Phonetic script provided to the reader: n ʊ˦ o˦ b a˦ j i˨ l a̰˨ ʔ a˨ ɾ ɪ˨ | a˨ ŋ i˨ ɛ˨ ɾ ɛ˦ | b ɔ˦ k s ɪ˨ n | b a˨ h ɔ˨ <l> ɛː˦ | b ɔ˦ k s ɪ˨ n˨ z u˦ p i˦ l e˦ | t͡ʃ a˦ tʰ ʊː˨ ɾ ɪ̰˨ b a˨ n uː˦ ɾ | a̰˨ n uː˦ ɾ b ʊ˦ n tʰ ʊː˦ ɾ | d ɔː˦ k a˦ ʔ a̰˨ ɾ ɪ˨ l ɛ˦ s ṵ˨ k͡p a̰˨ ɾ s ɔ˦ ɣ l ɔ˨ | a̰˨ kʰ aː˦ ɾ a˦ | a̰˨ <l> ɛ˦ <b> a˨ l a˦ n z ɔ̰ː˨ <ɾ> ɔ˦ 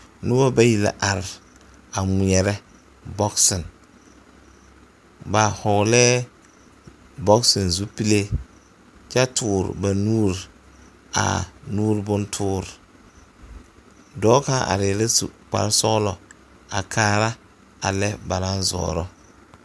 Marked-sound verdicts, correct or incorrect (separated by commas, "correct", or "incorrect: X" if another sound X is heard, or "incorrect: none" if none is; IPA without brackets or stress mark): correct, correct, correct, correct